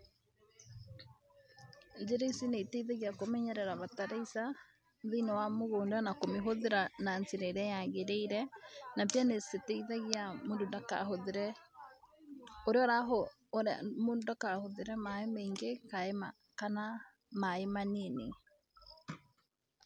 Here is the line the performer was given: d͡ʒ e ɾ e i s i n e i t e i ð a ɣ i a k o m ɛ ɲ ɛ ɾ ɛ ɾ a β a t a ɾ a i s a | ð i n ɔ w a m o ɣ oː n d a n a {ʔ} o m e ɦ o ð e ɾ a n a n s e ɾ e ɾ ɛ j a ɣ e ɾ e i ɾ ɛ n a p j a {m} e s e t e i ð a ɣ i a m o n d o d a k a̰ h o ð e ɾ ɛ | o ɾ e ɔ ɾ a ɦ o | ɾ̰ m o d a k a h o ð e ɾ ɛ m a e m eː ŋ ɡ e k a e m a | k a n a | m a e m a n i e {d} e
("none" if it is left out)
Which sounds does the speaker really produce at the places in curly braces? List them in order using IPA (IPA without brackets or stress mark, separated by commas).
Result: k, n, n